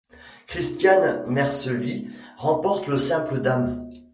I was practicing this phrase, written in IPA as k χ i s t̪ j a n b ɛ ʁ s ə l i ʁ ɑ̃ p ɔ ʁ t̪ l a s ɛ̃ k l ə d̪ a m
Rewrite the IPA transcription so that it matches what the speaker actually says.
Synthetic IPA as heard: k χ i s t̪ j a n m ɛ ʁ s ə l i ʁ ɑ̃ p ɔ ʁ t̪ l ə s ɛ̃ p l ə d̪ a m